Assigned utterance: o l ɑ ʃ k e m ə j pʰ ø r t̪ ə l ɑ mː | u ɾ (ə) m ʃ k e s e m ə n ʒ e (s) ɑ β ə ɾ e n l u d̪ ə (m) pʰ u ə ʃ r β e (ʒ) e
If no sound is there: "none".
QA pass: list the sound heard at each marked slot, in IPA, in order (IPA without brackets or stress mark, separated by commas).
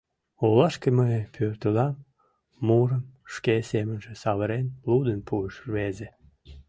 ə, s, n, z